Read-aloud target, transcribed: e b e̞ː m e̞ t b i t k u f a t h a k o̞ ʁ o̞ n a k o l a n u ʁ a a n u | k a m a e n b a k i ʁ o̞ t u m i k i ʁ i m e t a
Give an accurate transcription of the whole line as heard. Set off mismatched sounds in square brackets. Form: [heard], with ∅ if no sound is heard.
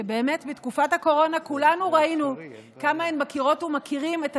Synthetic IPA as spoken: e b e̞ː m e̞ t b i t k u f a t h a k o̞ ʁ o̞ n a k [u] l a n u ʁ a [i] n u | k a m a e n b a k i ʁ o̞ t u m [a] k i ʁ i m e t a